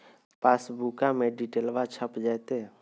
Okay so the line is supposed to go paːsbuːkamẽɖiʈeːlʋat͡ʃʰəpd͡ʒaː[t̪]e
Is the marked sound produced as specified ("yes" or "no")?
yes